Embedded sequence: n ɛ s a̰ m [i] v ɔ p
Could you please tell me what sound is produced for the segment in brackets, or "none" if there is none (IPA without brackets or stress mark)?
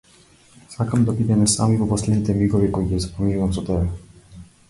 i